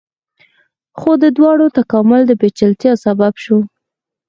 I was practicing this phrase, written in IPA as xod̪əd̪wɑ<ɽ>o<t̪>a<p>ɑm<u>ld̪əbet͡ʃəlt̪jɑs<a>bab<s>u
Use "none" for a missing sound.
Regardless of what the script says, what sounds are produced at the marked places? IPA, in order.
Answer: ɽ, t̪, k, ʊ, a, ʃ

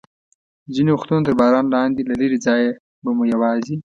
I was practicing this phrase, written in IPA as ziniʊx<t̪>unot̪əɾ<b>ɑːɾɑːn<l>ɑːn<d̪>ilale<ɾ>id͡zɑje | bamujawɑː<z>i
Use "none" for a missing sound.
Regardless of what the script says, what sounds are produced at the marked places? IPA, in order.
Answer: t̪, b, l, d̪, ɾ, z

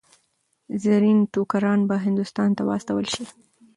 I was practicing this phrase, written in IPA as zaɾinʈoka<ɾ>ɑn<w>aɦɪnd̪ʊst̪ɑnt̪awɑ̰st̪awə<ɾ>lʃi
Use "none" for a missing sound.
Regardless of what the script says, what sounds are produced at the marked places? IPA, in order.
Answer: ɾ, b, none

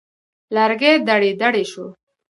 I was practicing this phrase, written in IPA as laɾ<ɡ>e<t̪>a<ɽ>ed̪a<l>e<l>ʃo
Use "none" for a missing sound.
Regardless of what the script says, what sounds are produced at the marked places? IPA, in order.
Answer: ɡ, d̪, ɽ, ɽ, none

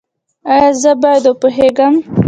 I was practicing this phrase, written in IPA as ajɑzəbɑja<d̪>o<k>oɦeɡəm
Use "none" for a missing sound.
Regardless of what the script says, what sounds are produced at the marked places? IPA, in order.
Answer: d̪, p

